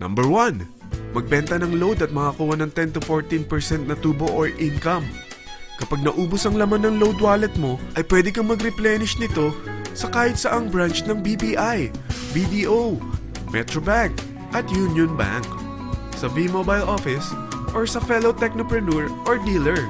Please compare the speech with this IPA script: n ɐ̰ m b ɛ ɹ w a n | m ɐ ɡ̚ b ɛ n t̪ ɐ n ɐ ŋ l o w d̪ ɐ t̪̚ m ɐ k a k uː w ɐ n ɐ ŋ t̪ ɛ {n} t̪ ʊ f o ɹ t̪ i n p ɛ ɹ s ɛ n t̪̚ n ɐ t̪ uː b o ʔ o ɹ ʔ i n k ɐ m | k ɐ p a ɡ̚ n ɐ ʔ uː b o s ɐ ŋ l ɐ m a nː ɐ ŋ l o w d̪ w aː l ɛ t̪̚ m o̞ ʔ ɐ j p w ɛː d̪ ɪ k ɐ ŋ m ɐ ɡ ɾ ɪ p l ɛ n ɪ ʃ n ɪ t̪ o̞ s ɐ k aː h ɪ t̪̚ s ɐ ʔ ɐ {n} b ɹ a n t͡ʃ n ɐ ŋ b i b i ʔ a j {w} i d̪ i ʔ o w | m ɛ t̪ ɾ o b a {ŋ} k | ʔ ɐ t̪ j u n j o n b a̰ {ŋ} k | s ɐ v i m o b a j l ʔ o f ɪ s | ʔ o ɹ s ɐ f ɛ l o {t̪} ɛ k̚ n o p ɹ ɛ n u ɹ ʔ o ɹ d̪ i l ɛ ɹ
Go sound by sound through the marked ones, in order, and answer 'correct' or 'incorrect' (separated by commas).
correct, incorrect, incorrect, correct, correct, correct